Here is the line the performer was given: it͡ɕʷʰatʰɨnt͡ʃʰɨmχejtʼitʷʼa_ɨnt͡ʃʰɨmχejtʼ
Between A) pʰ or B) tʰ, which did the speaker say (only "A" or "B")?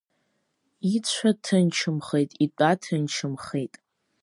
B